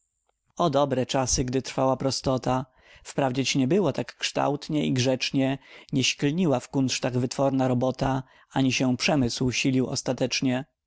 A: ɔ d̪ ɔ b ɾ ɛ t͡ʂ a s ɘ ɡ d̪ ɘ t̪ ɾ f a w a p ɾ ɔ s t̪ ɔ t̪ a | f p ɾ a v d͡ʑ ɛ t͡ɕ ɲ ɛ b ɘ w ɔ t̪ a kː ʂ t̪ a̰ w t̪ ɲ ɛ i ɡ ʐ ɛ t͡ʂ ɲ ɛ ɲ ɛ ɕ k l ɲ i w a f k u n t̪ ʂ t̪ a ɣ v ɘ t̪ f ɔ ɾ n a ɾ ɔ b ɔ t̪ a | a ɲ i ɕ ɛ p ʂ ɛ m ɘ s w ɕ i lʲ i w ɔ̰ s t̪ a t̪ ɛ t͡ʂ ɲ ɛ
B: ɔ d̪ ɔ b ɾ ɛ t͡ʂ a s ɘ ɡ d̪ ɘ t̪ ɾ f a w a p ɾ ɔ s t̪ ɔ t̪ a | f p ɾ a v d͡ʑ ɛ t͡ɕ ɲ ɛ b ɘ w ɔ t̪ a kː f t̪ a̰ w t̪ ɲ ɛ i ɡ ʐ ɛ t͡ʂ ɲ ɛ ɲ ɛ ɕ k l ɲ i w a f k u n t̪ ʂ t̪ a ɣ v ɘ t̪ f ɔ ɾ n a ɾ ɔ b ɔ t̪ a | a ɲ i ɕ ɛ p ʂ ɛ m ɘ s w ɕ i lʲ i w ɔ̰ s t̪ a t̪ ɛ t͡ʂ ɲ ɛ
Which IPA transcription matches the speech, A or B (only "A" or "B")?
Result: A